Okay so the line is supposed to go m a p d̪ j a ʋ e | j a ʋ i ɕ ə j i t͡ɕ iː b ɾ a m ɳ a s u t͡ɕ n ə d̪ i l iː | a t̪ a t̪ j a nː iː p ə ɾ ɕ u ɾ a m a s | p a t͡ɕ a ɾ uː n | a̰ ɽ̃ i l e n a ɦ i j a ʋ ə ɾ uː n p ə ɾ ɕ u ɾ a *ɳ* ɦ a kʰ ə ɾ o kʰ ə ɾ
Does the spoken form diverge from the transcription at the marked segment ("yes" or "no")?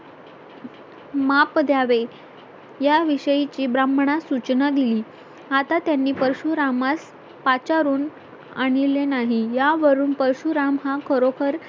yes